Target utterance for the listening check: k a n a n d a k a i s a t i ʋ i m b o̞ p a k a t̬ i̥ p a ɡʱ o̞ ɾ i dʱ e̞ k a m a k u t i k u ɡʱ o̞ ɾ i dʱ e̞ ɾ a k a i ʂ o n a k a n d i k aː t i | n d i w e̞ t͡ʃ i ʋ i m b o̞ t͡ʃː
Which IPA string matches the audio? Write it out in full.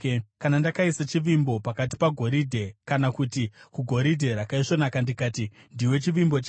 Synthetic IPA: k a n a n d a k a i s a t͡ʃ i ʋ i m b o̞ p a k a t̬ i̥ p a ɡʱ o̞ ɾ i dʱ e̞ k a n a k u t i k u ɡʱ o̞ ɾ i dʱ e̞ ɾ a k a i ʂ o n a k a n d i k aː t i | n d i w e̞ t͡ʃ i ʋ i m b o̞ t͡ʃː